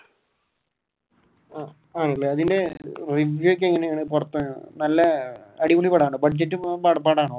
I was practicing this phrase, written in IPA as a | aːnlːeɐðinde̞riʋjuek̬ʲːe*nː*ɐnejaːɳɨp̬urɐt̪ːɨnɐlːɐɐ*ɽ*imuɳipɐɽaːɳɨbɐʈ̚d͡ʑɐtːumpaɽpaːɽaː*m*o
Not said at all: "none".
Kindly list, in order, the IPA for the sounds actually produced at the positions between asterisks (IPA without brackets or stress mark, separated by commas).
ŋː, ɽ, ɳ